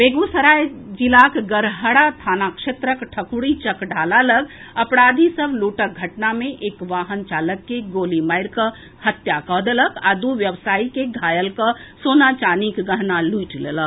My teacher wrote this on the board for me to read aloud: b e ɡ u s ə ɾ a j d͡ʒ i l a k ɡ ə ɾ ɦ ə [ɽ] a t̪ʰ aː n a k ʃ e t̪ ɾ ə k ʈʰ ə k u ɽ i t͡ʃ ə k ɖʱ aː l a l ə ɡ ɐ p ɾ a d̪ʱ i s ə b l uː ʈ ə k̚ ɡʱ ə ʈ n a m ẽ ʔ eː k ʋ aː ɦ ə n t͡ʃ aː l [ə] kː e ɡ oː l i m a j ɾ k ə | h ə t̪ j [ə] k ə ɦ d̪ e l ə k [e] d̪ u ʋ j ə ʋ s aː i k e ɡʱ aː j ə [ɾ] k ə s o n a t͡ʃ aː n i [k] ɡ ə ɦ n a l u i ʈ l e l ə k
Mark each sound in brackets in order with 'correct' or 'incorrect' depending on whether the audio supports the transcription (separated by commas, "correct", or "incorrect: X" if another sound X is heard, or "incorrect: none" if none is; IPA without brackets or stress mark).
correct, correct, incorrect: a, incorrect: a, incorrect: l, correct